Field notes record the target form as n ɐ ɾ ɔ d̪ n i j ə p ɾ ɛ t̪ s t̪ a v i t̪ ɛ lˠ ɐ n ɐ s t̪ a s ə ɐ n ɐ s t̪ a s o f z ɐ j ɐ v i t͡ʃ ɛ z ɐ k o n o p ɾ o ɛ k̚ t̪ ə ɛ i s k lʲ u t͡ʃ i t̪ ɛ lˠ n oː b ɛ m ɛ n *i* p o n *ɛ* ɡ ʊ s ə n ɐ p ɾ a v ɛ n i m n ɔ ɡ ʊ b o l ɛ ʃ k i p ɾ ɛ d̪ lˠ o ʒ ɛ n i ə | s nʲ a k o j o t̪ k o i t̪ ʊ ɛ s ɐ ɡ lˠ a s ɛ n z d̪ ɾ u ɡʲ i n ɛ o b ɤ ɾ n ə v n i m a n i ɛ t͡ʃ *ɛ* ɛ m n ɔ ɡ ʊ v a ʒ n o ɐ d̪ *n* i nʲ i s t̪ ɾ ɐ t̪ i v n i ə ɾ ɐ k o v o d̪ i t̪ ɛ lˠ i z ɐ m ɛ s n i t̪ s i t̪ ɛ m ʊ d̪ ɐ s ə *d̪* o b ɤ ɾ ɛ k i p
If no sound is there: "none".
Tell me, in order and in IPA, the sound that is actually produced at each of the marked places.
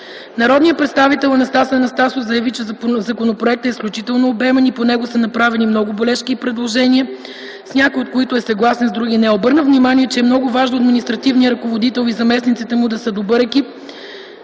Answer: i, ɛ, ɛ, m, d̪

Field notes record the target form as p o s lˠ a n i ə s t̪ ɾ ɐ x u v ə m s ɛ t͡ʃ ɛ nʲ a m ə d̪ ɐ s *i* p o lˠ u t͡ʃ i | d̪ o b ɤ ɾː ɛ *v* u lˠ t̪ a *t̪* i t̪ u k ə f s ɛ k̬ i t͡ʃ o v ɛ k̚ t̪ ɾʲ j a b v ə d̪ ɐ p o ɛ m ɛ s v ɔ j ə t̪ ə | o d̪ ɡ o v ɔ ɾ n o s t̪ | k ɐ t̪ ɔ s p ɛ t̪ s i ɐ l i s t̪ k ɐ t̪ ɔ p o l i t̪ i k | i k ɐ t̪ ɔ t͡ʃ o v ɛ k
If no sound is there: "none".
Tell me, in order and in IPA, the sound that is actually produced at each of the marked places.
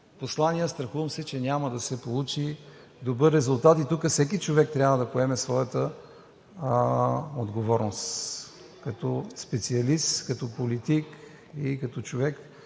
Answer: ɛ, z, t̪

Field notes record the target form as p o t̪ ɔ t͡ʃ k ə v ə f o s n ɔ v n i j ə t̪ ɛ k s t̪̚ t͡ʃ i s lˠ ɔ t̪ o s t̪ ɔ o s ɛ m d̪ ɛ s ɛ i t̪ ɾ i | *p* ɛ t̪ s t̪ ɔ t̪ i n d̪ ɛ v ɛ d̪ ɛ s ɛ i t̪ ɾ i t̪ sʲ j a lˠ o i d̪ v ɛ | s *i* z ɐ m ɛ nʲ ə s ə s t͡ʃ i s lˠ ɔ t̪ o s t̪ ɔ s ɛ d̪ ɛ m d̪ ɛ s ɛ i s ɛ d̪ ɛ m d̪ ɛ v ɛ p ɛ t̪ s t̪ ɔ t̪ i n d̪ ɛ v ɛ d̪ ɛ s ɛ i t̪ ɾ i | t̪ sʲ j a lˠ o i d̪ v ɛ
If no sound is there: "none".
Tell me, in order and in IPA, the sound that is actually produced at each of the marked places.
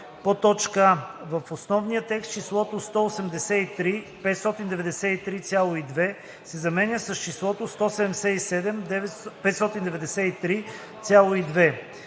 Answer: p, ɛ

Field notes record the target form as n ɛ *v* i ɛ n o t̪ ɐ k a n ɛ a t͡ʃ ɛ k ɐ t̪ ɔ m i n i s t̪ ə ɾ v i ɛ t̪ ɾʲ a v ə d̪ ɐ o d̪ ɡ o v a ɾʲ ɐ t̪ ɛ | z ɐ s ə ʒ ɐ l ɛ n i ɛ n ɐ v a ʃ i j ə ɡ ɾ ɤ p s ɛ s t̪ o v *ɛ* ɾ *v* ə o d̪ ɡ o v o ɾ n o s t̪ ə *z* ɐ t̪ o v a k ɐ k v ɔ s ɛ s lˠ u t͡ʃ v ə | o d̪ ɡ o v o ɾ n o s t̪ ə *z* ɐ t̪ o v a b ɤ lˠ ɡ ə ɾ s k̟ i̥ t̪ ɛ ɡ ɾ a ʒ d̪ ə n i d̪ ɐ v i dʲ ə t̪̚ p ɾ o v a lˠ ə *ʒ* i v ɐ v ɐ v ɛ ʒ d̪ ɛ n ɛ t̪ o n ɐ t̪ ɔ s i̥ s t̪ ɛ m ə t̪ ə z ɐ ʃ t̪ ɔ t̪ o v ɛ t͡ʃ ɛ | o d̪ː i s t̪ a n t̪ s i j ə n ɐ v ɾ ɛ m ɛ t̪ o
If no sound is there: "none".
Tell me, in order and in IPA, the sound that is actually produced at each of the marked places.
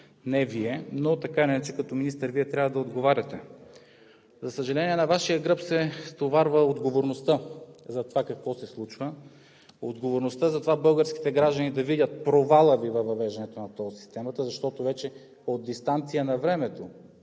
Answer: v, a, v, z, z, v

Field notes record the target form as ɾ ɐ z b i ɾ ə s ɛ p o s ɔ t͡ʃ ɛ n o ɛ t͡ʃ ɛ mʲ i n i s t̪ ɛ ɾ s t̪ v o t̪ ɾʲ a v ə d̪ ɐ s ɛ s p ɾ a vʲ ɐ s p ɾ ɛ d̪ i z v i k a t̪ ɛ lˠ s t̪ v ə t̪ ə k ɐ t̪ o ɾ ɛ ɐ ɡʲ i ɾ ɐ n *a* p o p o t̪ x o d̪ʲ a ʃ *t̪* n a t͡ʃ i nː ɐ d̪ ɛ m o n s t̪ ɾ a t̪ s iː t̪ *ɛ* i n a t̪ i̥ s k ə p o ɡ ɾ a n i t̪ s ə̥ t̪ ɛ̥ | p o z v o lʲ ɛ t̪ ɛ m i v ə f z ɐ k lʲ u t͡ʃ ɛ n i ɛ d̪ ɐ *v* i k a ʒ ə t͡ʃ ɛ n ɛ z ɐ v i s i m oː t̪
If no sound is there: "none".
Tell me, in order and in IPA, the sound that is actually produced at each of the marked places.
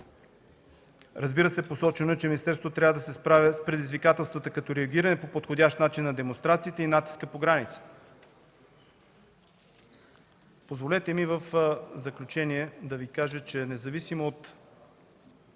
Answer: ɛ, t̪, ɛ, v

